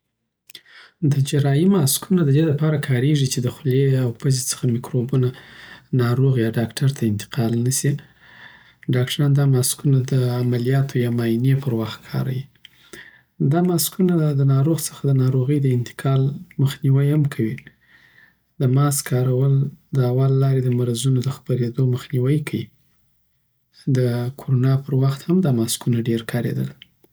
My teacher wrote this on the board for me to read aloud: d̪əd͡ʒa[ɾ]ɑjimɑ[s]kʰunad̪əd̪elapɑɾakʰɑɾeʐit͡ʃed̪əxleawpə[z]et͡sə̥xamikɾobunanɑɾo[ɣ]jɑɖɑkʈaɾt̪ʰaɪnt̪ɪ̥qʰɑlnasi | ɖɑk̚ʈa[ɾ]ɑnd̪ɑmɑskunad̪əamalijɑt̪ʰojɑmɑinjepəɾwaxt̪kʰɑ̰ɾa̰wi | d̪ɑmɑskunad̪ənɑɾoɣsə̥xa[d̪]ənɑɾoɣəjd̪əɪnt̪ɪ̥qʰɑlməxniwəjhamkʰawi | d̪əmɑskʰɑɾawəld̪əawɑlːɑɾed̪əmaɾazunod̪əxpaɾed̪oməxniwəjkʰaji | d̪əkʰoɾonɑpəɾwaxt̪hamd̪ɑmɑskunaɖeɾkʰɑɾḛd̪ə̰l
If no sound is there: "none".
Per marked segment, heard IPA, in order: ɾ, s, z, ɣ, ɾ, d̪

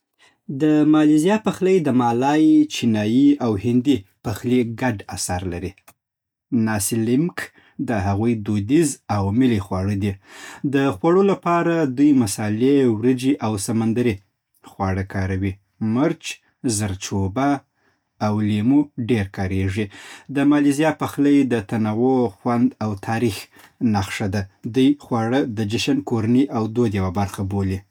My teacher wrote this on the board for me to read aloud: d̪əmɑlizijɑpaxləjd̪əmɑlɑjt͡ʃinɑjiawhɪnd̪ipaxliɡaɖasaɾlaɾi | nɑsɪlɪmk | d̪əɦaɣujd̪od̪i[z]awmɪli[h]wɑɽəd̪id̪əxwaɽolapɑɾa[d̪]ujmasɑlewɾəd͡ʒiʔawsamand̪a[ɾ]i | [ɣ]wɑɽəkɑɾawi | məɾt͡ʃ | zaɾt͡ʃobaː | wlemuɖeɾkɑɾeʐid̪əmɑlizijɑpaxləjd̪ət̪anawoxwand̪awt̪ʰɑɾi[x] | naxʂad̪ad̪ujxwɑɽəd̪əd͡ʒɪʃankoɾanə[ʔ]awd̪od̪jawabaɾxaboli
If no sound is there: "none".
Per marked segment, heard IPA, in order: z, x, d̪, ɾ, x, x, ʔ

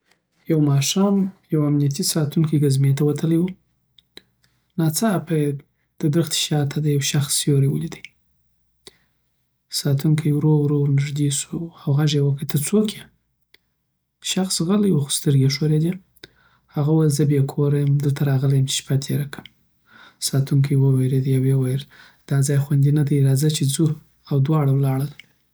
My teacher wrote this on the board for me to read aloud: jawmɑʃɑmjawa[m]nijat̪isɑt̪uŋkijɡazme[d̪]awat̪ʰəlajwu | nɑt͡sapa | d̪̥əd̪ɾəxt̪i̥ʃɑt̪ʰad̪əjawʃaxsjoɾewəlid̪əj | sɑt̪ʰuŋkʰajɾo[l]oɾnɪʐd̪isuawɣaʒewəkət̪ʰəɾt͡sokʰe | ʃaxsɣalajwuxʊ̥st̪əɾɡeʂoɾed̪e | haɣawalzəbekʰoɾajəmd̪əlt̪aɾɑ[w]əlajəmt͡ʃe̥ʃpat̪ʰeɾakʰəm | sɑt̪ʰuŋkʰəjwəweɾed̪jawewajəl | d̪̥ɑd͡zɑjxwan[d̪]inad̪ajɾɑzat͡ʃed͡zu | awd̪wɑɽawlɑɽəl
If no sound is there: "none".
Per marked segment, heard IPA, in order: m, t̪, ɾ, ɣ, d̪

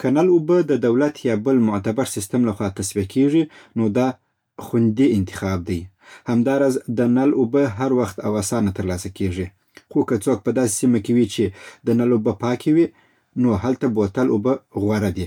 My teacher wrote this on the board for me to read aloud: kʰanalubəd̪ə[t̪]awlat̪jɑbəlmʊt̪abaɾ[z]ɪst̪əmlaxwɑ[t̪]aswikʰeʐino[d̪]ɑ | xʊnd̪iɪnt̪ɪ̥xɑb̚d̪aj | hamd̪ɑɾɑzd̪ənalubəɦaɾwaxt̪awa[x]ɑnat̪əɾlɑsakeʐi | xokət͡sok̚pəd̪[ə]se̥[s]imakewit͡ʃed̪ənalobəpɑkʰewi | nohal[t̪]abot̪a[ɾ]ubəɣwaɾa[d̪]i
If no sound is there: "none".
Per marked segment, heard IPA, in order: d̪, s, t̪, d̪, s, ɑ, s, t̪, l, d̪

